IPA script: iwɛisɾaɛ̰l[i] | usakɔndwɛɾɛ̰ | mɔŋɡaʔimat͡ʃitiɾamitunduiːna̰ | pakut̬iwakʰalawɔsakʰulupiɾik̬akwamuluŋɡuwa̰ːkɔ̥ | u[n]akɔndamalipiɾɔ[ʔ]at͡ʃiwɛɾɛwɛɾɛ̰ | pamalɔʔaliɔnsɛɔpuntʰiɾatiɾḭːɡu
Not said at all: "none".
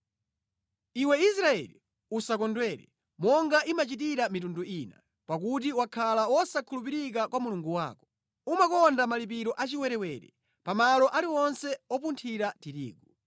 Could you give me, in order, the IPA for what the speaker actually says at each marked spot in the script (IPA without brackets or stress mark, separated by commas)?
i, m, ʔ